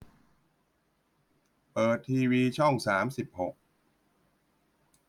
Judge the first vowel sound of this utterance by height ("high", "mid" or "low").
mid